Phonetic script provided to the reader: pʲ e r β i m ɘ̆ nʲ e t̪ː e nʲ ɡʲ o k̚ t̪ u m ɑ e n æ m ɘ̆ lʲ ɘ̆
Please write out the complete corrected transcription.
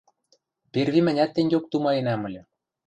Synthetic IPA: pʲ e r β i m ɘ̆ nʲ æ t̪ː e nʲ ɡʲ o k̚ t̪ u m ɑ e n æ m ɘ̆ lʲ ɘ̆